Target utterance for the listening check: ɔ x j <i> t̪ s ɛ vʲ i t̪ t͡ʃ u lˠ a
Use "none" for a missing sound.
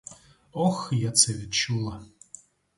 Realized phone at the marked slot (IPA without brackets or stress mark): a